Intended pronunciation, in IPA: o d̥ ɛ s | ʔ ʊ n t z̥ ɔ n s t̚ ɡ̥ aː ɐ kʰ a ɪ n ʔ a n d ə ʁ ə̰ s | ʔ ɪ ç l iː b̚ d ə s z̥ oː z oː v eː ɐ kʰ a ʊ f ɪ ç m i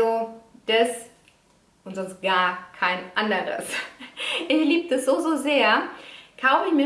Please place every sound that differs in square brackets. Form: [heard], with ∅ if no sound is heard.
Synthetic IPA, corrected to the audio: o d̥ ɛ s | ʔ ʊ n t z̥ ɔ n s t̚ ɡ̥ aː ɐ kʰ a ɪ n ʔ a n d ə ʁ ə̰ s | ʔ ɪ ç l iː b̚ d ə s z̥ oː z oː [z] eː ɐ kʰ a ʊ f ɪ ç m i